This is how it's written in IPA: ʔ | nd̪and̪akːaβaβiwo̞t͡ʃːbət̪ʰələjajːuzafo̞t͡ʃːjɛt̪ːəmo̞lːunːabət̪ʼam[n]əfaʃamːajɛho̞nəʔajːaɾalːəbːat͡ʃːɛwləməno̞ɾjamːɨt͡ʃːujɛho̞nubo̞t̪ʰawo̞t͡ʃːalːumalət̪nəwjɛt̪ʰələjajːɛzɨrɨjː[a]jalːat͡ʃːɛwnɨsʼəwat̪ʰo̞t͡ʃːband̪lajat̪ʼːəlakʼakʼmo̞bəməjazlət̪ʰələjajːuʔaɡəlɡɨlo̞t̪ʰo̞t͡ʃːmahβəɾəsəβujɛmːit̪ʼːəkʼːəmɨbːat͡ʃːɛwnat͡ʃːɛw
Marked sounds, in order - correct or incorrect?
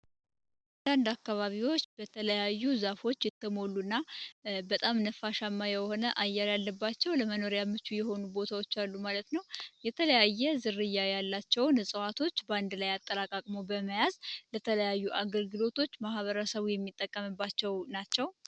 correct, correct

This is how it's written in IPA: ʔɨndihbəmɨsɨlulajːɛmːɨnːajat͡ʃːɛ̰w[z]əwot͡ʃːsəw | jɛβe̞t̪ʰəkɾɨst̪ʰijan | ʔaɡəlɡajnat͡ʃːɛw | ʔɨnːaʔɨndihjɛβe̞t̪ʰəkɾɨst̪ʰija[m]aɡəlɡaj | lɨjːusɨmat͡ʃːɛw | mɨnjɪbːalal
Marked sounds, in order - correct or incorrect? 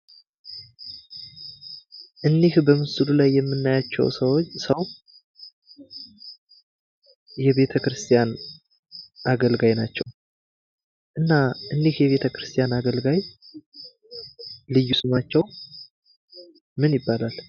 incorrect, incorrect

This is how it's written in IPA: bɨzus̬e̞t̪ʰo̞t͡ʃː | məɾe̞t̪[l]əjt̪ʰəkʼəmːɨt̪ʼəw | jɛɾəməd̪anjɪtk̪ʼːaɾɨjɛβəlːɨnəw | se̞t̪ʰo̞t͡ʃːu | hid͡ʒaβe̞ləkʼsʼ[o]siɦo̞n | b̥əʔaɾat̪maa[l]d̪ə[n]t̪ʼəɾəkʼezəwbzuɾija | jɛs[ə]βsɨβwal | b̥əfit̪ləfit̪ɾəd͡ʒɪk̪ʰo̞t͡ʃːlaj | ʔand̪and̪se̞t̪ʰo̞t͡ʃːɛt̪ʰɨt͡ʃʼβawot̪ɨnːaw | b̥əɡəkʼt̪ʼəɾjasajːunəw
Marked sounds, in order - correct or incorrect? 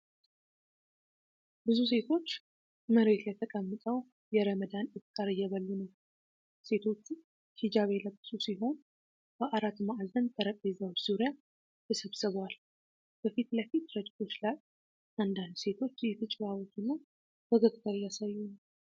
correct, incorrect, correct, correct, correct

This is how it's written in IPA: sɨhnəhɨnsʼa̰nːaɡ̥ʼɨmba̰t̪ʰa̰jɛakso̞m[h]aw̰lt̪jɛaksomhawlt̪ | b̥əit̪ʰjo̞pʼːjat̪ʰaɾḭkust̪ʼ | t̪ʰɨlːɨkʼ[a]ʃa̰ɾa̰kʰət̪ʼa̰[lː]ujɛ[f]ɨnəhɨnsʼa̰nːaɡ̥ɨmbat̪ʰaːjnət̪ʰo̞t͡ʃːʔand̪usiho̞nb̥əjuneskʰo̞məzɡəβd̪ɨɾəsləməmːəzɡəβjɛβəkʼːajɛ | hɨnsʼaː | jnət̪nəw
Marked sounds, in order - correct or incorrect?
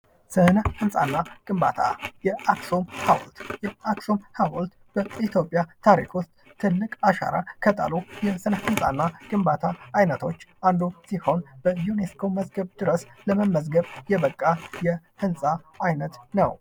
correct, correct, incorrect, incorrect

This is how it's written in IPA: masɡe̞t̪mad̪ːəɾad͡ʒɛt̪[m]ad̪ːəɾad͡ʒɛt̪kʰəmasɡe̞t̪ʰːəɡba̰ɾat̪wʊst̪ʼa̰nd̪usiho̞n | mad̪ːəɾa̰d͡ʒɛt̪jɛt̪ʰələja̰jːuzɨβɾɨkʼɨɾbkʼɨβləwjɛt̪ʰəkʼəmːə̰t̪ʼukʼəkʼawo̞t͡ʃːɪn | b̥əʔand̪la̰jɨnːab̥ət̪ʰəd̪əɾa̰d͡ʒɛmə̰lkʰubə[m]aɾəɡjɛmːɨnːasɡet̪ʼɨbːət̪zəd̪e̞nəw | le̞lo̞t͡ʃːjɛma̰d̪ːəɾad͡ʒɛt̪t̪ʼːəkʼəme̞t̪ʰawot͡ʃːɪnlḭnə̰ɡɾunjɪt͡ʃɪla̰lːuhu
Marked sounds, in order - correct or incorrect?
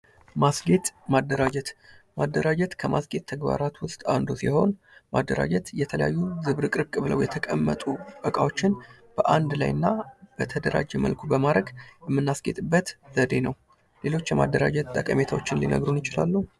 correct, correct

